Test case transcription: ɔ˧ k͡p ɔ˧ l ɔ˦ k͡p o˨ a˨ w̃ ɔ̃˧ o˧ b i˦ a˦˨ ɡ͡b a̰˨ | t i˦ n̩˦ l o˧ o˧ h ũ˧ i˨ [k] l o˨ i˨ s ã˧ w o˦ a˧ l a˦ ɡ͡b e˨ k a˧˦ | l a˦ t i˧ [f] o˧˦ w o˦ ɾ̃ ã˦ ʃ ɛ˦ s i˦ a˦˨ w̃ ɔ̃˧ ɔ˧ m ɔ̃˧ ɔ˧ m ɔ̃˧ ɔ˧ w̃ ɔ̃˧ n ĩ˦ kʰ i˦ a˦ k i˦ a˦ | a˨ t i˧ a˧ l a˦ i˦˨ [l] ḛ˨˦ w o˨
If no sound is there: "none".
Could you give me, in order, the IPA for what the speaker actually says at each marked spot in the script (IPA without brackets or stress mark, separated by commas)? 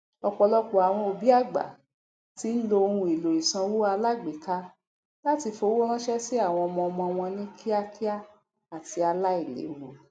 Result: none, f, l